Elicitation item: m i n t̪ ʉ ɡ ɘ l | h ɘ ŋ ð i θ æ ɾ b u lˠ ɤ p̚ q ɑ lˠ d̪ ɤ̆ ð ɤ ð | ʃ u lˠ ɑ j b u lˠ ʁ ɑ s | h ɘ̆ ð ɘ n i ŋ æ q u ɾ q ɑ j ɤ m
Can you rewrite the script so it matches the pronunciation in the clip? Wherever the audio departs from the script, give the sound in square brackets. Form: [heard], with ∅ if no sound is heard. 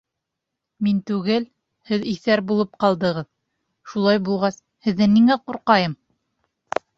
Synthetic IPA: m i n t̪ ʉ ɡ ɘ l | h ɘ [∅] ð i θ æ ɾ b u lˠ ɤ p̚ q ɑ lˠ d̪ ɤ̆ [ʁ] ɤ ð | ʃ u lˠ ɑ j b u lˠ ʁ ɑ s | h ɘ̆ [ðː] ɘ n i ŋ æ q u ɾ q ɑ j ɤ m